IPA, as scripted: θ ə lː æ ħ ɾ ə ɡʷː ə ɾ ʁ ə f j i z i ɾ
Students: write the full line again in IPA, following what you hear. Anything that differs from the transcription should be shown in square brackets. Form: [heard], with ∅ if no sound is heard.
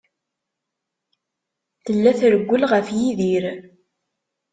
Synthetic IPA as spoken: θ ə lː æ [θ] ɾ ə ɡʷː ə [l] ʁ ə f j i [ð] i ɾ